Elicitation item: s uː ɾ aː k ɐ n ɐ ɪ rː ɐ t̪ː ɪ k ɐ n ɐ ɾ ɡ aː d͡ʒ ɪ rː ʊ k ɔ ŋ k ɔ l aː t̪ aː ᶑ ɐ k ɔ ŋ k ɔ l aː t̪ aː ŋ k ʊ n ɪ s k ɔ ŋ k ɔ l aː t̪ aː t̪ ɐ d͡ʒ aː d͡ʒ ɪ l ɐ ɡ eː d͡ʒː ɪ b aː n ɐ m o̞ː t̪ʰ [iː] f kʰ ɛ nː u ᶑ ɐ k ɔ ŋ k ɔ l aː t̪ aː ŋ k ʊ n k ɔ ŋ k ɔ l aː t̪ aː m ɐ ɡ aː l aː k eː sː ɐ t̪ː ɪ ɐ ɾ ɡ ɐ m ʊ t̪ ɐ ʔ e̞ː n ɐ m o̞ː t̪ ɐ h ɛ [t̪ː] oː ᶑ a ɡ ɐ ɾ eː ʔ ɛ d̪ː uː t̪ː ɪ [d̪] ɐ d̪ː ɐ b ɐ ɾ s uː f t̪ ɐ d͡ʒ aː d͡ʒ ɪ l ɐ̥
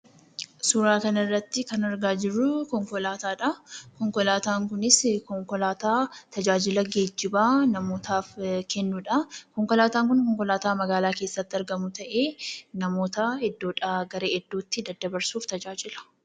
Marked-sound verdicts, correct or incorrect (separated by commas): incorrect, incorrect, correct